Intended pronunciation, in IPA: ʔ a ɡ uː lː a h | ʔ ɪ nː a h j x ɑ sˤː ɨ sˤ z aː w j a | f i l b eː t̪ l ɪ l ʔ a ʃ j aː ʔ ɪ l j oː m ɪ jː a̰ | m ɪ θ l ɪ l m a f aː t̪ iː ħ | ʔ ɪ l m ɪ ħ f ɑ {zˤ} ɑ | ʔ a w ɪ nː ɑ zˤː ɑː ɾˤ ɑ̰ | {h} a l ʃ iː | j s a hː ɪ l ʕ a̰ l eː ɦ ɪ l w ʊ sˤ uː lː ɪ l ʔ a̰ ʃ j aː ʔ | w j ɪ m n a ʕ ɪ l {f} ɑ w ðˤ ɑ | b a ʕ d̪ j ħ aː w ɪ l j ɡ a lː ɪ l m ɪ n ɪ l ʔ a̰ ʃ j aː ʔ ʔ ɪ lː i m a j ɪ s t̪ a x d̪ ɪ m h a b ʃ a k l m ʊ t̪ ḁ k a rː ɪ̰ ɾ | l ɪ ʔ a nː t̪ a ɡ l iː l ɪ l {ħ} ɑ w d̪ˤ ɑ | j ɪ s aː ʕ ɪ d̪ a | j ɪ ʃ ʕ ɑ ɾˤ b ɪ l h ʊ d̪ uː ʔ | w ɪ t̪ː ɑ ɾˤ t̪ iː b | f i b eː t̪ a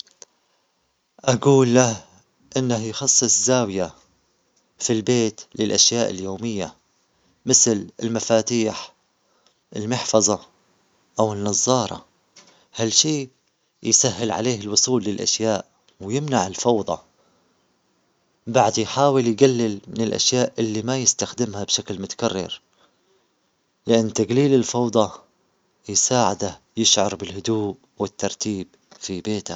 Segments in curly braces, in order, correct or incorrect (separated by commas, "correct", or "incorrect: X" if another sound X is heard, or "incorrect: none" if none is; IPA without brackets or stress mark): correct, correct, correct, incorrect: f